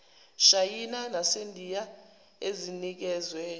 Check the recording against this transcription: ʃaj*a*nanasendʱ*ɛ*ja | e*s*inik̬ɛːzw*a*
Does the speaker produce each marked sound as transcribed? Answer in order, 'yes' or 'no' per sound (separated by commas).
no, no, no, no